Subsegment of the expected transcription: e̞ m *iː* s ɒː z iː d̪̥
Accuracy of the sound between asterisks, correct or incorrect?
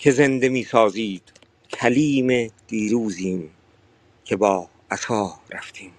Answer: correct